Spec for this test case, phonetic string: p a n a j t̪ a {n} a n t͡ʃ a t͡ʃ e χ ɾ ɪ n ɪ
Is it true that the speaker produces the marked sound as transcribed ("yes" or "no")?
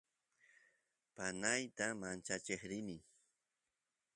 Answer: no